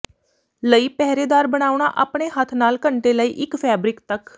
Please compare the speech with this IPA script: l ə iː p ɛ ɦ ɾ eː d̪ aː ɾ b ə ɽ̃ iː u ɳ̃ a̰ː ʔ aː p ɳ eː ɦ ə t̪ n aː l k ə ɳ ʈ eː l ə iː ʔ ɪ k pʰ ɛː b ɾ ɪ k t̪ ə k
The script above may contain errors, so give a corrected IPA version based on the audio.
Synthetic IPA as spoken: l ə iː p ɛ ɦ ɾ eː d̪ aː ɾ b ə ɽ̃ aː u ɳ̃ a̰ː ʔ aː p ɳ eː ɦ ə t̪ʰ n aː l k ə ɳ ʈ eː l ə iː ʔ ɪ k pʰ ɛː b ɾ ɪ k t̪ ə k